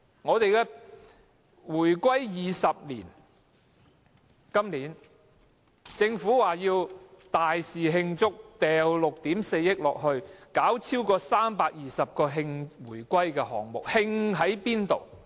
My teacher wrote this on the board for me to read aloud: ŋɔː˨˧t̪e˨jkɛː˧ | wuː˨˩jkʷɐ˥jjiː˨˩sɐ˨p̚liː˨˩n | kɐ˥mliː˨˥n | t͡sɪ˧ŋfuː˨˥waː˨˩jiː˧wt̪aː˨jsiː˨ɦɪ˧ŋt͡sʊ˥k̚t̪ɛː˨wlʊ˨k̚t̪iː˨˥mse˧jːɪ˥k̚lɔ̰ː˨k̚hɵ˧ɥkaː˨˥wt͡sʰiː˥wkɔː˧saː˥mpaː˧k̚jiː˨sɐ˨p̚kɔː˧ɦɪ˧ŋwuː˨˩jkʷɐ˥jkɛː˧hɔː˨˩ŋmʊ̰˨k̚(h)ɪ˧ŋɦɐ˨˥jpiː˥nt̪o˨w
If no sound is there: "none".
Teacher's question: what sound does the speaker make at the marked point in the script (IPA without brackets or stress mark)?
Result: h